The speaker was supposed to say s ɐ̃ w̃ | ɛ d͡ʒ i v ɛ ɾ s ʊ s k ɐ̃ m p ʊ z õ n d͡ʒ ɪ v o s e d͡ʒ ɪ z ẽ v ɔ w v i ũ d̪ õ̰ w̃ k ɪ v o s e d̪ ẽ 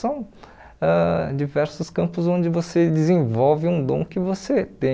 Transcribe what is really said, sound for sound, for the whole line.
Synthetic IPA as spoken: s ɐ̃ w̃ | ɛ d͡ʒ i v ɛ ɾ s ʊ s k ɐ̃ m p ʊ z õ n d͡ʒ ɪ v o s e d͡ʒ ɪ z ẽ v ɔ w v ɪ ũ d̪ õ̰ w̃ k ɪ v o s e t̪ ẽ

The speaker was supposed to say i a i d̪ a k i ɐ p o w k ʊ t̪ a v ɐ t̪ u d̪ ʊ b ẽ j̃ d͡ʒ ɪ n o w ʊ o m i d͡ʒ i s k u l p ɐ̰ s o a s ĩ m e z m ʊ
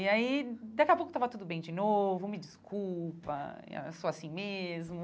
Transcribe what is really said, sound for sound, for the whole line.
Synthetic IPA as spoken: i a i d̪ a k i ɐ p o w k ʊ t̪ a v ɐ t̪ u d̪ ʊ b ẽ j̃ d͡ʒ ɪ n o v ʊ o m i d͡ʒ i s k u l p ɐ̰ s o a s ĩ m e z m ʊ

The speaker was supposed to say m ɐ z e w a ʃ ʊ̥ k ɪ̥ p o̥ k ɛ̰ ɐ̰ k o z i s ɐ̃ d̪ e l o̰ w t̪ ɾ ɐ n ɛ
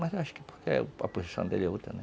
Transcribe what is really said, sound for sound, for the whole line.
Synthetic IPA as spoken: m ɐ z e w a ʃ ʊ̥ k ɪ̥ p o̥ k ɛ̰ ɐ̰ p o z i s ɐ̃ d̪ e l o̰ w t̪ ɾ ɐ n ɛ

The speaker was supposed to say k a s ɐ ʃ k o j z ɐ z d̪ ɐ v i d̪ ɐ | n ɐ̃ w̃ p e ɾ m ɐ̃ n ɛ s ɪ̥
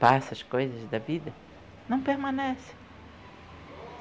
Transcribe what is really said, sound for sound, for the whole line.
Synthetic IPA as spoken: p a s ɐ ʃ k o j z ɐ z d̪ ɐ v i d̪ ɐ | n ɐ̃ w̃ p e ɾ m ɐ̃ n ɛ s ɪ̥

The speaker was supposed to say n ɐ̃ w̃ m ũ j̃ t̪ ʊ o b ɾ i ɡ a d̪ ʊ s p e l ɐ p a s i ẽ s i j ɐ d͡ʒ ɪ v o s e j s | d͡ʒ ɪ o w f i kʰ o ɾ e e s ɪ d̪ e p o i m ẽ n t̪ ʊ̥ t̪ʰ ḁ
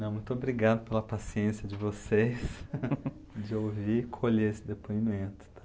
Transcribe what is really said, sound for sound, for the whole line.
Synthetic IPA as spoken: n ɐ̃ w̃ m ũ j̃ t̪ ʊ o b ɾ i ɡ a d̪ ʊ p e l ɐ p a s i ẽ s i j ɐ d͡ʒ ɪ v o s e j s | d͡ʒ ɪ o w v i kʰ o ʎ e e s ɪ d̪ e p o i m ẽ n t̪ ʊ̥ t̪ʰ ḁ

